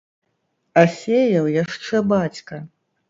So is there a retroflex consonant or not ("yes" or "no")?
yes